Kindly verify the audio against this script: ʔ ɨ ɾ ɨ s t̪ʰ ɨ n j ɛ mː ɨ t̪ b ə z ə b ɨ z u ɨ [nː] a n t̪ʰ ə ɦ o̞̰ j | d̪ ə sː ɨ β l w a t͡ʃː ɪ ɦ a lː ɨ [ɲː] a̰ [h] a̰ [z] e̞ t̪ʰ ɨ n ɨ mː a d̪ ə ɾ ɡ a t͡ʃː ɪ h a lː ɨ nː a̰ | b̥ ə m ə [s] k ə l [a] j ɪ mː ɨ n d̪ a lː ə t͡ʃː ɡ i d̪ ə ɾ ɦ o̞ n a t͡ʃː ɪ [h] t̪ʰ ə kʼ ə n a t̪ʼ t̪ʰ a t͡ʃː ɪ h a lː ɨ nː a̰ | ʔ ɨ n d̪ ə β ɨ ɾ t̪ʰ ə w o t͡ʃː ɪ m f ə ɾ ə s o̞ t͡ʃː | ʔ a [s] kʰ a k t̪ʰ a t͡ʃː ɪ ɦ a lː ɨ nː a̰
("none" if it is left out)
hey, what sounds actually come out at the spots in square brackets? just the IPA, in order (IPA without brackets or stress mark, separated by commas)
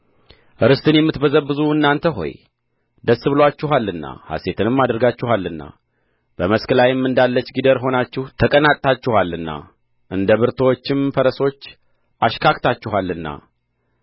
nː, nː, h, s, s, a, h, ʃ